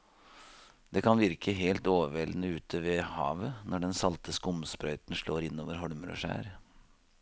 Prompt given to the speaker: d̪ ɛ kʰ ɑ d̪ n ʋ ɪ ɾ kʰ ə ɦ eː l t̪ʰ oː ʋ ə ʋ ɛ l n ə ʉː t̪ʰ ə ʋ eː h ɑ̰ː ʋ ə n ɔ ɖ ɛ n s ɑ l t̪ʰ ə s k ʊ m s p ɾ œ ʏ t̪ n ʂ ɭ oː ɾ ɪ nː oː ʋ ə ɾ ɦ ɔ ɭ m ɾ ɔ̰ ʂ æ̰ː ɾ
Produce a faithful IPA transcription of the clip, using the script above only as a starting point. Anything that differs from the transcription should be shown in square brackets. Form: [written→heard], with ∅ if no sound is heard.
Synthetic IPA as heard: d̪ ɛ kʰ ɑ [d̪→∅] n ʋ ɪ ɾ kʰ ə ɦ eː l [t̪ʰ→t̪] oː ʋ ə ʋ ɛ l n ə ʉː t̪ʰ ə ʋ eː h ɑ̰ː ʋ ə n ɔ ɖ ɛ n s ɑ l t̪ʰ ə s k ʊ m s p ɾ œ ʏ t̪ n ʂ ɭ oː ɾ ɪ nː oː ʋ ə ɾ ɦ ɔ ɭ m ɾ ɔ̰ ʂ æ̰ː ɾ